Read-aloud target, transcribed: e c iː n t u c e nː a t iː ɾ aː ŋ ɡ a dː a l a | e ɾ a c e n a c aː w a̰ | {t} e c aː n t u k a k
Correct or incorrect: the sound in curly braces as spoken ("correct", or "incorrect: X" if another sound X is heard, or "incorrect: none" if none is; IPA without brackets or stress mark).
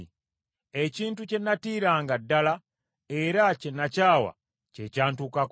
incorrect: c